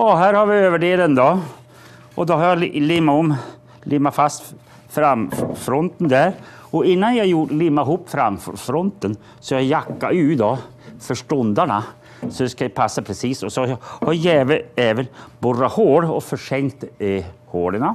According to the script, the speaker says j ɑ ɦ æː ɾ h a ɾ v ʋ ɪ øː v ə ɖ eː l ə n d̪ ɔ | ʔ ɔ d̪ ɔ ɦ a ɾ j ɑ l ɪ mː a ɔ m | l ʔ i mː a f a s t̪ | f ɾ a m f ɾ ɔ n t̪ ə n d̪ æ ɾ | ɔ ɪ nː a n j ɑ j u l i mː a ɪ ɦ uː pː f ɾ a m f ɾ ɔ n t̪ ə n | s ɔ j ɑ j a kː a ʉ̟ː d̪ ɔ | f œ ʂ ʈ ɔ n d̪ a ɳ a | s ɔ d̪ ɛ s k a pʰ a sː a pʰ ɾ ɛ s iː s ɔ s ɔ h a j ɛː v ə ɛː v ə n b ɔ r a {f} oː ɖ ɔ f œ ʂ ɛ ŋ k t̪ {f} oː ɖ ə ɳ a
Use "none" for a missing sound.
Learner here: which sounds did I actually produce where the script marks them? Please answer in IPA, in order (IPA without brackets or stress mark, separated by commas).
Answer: h, h